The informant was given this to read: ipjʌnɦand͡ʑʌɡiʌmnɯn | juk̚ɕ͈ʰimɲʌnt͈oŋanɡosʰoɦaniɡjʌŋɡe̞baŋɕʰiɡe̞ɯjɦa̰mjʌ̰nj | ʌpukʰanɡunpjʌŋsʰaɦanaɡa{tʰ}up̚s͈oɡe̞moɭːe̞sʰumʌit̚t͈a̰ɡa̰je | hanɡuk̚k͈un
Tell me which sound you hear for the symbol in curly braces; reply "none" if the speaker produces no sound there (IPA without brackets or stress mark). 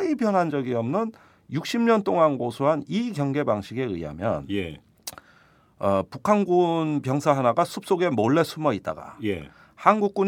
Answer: sʰ